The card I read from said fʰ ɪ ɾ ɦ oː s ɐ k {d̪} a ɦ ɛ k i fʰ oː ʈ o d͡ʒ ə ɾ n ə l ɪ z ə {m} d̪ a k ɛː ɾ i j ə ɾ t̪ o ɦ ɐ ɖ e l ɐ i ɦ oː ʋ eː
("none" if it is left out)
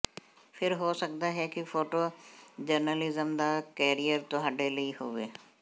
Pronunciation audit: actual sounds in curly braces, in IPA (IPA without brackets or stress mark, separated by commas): d̪, m